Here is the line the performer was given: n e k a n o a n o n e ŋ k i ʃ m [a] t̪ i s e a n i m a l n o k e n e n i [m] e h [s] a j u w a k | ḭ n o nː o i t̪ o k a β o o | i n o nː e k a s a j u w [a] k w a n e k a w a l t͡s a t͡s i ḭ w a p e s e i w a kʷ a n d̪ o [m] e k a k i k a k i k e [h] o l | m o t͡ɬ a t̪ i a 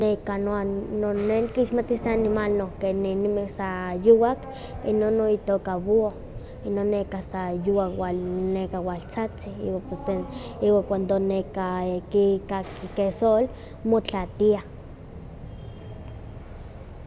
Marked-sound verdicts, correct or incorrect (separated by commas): correct, correct, correct, correct, incorrect, incorrect